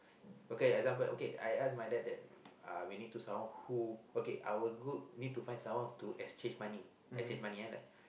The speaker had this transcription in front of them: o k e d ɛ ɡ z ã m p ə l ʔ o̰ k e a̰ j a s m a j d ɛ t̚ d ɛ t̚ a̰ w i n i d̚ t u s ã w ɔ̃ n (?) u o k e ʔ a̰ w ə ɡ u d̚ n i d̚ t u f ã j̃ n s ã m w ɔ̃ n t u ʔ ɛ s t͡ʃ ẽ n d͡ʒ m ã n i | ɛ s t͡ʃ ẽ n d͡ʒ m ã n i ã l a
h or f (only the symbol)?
h